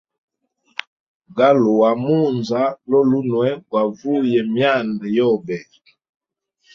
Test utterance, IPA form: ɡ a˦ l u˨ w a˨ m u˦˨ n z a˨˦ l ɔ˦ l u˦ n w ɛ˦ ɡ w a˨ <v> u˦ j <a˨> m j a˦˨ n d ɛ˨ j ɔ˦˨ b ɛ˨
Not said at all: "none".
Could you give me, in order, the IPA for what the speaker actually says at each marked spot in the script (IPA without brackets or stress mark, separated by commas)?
v, ɛ˨